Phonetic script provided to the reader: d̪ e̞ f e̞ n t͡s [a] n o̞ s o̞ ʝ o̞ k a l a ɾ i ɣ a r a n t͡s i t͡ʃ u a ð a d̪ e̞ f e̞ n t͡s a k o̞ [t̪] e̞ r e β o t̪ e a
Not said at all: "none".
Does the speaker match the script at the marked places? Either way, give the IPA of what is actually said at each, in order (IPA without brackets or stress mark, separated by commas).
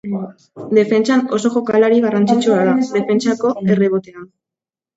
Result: a, none